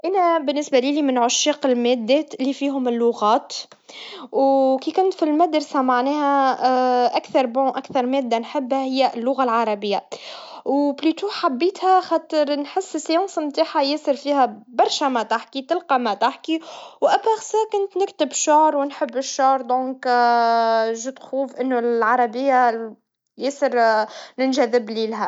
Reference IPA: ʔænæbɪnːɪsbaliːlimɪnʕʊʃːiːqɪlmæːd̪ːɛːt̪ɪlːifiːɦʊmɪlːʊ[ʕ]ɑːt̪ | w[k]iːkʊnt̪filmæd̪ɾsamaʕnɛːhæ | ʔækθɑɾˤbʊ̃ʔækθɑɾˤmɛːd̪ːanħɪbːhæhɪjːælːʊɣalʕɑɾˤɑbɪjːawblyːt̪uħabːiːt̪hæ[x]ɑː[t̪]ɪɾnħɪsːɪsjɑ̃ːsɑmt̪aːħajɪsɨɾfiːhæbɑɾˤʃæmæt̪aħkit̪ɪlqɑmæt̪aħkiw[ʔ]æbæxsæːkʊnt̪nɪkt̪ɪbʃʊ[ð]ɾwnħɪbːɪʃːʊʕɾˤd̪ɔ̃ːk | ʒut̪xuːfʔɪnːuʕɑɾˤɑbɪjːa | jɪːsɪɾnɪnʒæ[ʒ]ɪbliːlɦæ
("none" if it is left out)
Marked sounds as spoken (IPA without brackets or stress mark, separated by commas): ɣ, k, x, t̪, ʔ, ʕ, ð